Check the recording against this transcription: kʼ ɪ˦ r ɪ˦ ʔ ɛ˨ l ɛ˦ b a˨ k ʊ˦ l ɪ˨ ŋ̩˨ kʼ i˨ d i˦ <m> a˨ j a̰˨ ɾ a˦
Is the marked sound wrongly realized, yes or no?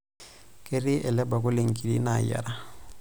yes